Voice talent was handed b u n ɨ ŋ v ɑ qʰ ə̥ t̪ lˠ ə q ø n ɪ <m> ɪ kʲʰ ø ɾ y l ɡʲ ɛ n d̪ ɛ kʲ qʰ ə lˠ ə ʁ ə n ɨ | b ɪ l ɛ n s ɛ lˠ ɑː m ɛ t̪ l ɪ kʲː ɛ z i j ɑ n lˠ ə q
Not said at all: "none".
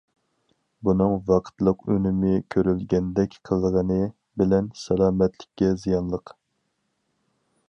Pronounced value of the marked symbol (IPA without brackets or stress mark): m